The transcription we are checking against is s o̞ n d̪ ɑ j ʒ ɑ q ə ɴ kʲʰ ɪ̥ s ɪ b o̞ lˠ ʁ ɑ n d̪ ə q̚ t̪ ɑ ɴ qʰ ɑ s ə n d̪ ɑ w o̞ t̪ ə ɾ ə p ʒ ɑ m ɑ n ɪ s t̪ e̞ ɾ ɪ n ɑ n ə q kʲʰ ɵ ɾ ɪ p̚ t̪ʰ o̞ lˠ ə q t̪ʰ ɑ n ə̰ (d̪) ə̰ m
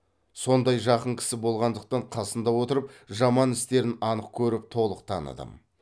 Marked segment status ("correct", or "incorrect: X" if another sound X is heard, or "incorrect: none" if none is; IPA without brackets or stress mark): correct